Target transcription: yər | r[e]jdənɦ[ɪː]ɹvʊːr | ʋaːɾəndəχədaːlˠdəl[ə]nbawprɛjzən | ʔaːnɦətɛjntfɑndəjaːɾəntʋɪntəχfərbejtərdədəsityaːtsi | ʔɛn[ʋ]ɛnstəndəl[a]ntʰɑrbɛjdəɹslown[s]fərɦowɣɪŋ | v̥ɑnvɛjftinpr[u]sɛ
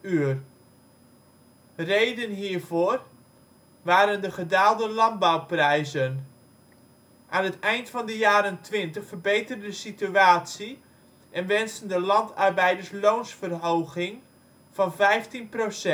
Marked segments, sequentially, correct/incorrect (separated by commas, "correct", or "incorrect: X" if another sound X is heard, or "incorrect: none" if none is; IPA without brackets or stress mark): correct, incorrect: iː, incorrect: ɑ, correct, incorrect: ɑ, correct, incorrect: o